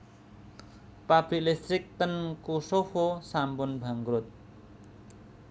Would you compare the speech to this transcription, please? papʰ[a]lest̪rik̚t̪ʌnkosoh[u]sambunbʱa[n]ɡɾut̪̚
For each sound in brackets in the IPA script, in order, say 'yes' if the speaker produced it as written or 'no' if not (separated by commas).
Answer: no, no, no